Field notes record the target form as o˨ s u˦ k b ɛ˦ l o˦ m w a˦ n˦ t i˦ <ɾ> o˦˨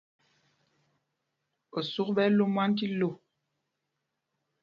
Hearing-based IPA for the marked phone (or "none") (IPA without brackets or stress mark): l